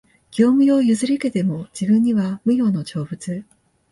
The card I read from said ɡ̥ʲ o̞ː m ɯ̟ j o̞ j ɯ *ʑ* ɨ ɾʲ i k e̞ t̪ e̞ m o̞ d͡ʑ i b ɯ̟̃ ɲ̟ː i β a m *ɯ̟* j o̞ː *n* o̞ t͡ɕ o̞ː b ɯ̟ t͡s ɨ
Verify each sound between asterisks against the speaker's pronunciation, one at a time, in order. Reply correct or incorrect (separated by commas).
incorrect, correct, correct